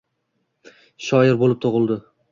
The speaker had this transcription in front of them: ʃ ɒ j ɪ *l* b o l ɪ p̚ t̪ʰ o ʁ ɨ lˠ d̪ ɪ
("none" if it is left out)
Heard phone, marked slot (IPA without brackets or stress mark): ɾ